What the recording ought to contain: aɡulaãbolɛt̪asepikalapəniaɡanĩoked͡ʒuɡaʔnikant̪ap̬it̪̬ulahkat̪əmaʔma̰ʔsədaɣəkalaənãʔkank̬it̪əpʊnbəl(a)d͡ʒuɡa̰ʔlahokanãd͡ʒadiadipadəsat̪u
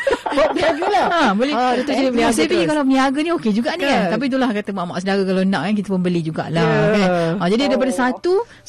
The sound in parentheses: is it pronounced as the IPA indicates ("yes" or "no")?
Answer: no